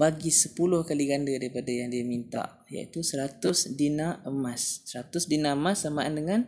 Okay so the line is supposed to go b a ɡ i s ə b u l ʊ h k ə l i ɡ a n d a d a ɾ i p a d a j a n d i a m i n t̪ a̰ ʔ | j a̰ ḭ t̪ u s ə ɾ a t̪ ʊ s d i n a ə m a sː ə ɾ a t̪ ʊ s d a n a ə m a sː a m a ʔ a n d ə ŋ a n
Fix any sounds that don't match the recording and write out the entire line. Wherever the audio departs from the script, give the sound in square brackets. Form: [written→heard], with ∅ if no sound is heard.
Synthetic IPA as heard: b a ɡ i s ə [b→p] u l ʊ h k [ə→a] l i ɡ a n d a d a ɾ i p a d a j a [n→ŋ] d i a m i n t̪ a̰ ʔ | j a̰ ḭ t̪ u s ə ɾ a t̪ ʊ s d i n a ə m a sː ə ɾ a t̪ ʊ s d [a→i] n a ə m a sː a m a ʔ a n d ə ŋ a n